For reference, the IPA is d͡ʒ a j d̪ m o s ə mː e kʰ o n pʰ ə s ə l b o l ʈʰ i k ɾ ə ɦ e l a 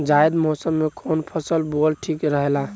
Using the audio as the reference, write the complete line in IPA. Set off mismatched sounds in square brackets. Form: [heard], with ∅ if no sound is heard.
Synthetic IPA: d͡ʒ a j d̪ m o s ə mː e kʰ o n pʰ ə s ə l b o l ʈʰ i k ɾ ə ɦ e l a